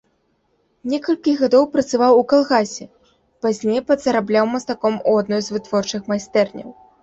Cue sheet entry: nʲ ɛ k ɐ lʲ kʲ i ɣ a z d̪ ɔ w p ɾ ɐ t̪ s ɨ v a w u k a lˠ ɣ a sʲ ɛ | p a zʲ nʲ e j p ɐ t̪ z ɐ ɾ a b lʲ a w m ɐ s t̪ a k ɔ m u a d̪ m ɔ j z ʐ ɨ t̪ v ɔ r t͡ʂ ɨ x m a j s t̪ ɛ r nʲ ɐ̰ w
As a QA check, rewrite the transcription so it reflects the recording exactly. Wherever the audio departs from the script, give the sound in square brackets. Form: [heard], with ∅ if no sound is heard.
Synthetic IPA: nʲ ɛ k ɐ lʲ kʲ i ɣ a [∅] d̪ ɔ w p ɾ ɐ t̪ s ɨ v a w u k a lˠ ɣ a sʲ ɛ | p a zʲ nʲ e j p ɐ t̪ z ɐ ɾ a b lʲ a w m ɐ s t̪ a k ɔ m u a d̪ [n] ɔ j z [v] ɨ t̪ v ɔ r t͡ʂ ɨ x m a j s t̪ ɛ r nʲ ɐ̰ w